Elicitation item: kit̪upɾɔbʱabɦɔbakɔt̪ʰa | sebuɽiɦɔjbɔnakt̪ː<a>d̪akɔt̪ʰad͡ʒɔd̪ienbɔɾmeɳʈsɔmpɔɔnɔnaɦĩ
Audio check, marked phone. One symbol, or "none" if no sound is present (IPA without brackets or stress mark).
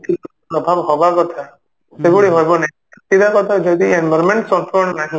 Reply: i